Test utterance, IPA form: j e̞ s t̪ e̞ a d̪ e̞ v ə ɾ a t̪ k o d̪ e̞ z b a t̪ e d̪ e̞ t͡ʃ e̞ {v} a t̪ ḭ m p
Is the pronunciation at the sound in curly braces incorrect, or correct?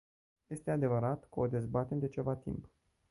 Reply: correct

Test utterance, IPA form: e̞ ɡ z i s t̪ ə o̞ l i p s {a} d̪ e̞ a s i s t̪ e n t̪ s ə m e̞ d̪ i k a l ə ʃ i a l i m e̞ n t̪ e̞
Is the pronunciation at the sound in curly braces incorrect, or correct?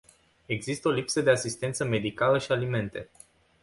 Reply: incorrect: ə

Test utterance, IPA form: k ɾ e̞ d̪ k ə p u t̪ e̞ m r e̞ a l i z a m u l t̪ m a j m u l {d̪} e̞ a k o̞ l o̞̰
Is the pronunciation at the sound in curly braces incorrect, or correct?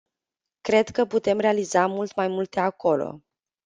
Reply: incorrect: t̪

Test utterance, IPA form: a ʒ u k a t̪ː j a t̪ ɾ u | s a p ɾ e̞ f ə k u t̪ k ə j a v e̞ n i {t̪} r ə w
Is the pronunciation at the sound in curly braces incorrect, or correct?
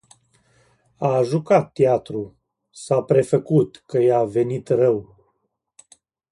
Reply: correct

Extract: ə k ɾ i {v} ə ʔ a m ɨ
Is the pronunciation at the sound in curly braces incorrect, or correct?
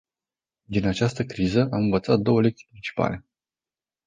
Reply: incorrect: z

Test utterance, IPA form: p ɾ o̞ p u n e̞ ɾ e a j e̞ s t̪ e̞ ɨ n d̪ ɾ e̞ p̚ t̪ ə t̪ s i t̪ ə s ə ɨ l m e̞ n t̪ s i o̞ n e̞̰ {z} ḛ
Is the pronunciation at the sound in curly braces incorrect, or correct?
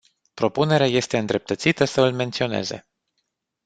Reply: correct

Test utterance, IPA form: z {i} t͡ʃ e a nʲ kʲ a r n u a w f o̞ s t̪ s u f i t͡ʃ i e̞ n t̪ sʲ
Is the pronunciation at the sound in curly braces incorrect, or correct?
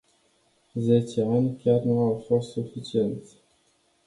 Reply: incorrect: e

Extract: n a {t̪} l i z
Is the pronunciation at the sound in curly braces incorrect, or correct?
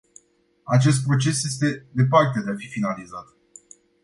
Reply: incorrect: none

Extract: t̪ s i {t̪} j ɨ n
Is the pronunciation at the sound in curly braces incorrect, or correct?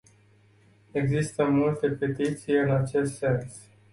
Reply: incorrect: none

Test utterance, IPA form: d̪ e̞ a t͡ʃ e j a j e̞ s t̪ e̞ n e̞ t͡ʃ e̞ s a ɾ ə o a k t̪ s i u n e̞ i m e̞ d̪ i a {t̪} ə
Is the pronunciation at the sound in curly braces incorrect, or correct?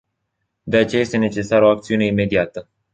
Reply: correct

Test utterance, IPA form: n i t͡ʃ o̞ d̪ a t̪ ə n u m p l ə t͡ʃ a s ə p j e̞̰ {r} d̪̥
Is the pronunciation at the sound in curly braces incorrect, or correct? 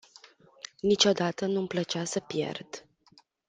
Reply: correct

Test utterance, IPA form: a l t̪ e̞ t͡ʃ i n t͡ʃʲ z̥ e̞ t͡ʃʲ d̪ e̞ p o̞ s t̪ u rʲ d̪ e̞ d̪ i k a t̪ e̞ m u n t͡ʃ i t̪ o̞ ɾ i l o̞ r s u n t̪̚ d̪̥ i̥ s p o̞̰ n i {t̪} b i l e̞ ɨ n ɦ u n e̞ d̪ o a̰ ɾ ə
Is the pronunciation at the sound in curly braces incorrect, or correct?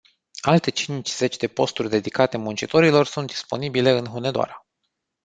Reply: incorrect: none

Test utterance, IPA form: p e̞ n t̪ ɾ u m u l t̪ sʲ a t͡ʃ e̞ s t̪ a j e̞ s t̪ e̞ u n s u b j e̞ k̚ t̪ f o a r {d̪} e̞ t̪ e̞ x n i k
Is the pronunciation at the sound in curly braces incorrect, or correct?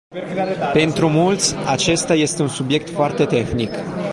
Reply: incorrect: t̪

